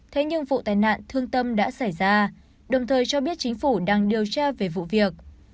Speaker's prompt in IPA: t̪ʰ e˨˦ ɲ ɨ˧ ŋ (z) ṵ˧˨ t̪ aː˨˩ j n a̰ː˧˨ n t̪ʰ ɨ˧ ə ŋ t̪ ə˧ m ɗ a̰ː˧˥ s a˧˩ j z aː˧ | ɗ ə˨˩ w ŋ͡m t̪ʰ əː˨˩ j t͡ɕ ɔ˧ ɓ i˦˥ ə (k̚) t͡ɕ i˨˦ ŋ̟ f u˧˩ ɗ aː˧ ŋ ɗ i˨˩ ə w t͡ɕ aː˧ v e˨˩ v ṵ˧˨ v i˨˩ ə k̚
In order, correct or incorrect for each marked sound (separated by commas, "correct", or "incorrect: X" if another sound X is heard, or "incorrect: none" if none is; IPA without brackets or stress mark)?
incorrect: v, incorrect: t̚